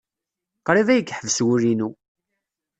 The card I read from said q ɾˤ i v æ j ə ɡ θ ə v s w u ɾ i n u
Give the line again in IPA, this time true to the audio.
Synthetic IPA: q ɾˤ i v æ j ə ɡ ħ ə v s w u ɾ i n u